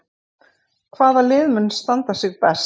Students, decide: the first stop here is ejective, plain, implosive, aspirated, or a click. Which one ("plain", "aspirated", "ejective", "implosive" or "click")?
aspirated